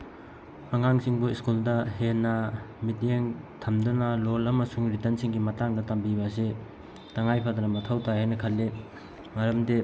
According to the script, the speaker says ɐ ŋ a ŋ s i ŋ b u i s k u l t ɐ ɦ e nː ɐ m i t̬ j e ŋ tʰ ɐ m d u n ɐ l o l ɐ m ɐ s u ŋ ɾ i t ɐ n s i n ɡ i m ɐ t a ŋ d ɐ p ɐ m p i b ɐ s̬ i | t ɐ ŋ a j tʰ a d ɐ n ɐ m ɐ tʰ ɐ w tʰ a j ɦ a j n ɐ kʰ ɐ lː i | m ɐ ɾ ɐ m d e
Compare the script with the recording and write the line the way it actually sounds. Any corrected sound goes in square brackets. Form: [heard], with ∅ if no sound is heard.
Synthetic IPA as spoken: ɐ ŋ a ŋ s i ŋ b u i s k u l [d] ɐ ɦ e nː ɐ m i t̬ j e ŋ tʰ ɐ m d u n ɐ l o l ɐ m ɐ s u ŋ ɾ i t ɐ n s i [ŋ] ɡ i m ɐ t a ŋ d ɐ [t] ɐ m [b] i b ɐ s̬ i | t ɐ ŋ a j [pʰ] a d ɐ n ɐ m ɐ tʰ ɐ w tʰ a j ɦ a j n ɐ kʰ ɐ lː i | m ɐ ɾ ɐ m d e